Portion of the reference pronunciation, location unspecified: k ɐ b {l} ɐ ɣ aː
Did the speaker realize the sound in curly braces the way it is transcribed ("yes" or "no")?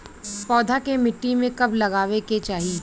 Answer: yes